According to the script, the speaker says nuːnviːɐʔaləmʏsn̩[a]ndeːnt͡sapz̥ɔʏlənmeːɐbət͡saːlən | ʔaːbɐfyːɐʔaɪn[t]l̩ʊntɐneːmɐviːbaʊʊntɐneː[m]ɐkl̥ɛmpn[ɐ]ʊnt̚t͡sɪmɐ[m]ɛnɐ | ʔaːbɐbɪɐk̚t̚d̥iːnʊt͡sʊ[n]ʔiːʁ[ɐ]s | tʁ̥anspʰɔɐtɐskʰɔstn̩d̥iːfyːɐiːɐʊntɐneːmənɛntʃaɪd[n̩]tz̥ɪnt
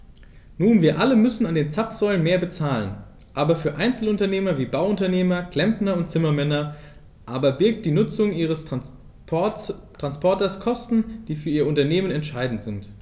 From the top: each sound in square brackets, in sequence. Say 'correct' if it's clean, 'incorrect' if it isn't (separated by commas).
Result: correct, incorrect, correct, correct, correct, incorrect, incorrect, correct